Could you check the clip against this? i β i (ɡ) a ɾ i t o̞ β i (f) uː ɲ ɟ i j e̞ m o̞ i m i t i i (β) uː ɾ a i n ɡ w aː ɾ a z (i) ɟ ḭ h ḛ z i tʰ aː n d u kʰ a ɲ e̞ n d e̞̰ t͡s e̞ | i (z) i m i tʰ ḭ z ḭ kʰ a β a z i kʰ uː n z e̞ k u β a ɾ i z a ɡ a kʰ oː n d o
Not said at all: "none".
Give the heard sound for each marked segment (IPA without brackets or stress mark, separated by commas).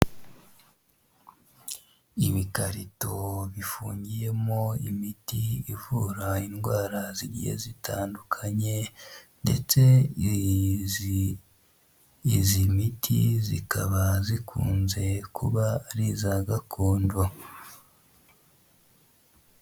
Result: k, f, v, i, z